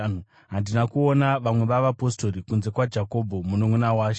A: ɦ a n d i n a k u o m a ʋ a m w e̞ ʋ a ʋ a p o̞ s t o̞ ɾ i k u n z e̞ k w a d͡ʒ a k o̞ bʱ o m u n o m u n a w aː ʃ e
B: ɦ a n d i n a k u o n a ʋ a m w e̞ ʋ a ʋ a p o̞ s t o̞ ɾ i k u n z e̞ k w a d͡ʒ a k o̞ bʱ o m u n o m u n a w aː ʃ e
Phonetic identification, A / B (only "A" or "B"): B